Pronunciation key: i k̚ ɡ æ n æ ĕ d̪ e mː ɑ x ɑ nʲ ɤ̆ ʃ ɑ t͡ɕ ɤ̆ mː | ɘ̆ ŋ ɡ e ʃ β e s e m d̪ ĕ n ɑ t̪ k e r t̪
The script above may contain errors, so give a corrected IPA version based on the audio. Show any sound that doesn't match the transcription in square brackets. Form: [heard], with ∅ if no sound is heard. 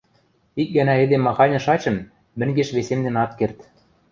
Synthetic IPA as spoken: i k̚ ɡ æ n æ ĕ d̪ e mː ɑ x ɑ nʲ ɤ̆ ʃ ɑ t͡ɕ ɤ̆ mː | ɘ̆ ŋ ɡ e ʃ β e s e m d̪ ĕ n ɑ t̪ k e r t̪